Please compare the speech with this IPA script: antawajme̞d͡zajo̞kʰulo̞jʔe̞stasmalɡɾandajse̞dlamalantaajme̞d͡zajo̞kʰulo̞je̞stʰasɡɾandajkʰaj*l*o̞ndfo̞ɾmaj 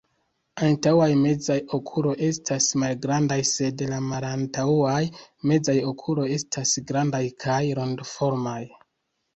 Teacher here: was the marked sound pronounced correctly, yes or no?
no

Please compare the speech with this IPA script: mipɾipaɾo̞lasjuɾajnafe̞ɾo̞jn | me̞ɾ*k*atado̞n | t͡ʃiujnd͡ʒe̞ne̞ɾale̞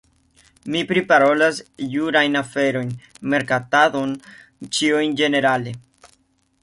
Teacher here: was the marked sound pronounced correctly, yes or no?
yes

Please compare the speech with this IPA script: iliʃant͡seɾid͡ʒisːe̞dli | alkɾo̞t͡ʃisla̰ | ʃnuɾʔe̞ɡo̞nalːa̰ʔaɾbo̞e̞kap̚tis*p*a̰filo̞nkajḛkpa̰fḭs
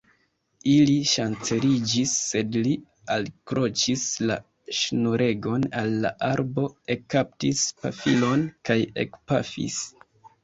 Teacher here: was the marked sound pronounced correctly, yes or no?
yes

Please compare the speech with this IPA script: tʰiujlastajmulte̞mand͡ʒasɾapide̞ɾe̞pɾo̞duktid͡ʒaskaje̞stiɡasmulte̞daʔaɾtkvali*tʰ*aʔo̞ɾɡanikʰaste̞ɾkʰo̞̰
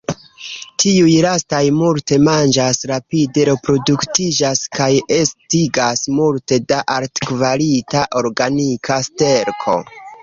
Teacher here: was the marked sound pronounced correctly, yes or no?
no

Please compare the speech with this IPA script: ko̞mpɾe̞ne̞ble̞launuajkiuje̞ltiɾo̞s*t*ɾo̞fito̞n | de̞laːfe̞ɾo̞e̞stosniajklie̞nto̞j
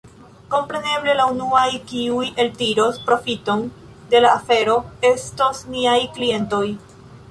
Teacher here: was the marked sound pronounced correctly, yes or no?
no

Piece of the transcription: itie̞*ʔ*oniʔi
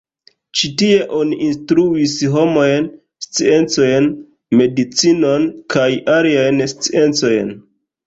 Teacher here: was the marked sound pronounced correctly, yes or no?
yes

